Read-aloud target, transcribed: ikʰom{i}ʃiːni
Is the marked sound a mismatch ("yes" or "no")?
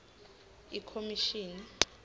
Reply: no